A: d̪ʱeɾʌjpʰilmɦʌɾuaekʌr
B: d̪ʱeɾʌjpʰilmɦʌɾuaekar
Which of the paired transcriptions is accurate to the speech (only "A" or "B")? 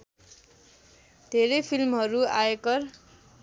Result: A